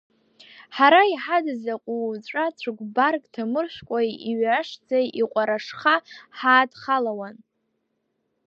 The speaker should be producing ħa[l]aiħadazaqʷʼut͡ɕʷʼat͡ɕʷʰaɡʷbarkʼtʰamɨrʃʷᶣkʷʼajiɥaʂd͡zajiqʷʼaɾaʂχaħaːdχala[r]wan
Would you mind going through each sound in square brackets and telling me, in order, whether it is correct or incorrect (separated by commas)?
incorrect, incorrect